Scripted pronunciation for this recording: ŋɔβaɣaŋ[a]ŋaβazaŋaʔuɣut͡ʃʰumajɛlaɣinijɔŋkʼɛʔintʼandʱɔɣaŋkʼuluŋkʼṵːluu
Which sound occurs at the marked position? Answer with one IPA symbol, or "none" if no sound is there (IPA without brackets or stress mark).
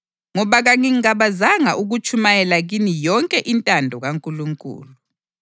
i